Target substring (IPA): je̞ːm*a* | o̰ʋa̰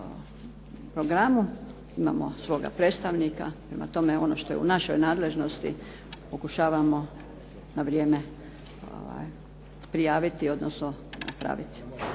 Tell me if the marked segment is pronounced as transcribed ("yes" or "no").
no